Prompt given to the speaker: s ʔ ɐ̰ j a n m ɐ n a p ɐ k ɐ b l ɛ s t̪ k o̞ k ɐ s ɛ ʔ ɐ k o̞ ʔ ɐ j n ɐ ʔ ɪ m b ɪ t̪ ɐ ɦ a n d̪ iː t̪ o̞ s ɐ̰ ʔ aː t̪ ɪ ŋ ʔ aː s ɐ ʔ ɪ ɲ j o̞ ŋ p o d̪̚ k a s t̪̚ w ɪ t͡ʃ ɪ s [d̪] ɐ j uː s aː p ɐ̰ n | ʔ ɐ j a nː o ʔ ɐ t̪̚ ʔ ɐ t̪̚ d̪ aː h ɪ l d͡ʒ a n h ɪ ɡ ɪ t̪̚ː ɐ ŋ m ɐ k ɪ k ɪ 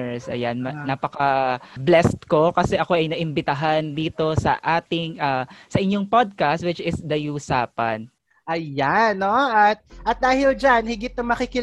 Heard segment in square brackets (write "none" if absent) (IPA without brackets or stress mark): d̪